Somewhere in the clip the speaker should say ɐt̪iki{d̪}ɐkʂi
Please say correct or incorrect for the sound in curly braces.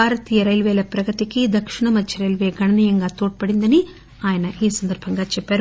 correct